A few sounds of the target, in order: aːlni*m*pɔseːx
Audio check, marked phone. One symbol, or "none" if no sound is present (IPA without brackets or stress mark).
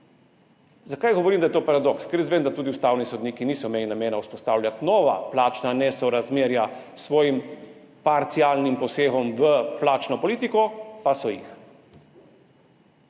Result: m